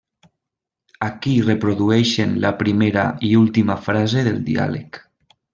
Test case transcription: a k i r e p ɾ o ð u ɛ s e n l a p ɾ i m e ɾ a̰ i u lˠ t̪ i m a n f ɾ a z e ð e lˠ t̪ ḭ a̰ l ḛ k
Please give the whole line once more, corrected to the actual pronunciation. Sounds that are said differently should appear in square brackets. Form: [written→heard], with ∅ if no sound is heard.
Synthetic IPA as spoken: a k i r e p ɾ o ð u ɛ [s→ʃ] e n l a p ɾ i m e ɾ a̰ i u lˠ t̪ i m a [n→∅] f ɾ a z e ð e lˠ [t̪→d̪] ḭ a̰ l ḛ k

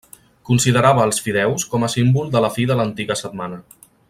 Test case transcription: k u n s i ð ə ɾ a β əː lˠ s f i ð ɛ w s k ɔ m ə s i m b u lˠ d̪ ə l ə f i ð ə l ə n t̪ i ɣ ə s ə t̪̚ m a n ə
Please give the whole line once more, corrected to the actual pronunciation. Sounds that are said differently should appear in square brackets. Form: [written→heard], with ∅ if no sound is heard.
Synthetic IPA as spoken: k u n s i ð ə ɾ a β əː lˠ s f i ð ɛ w s k ɔ m ə s i m b u lˠ d̪ ə l ə f i ð ə l ə n t̪ i ɣ ə s ə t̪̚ m a n ə

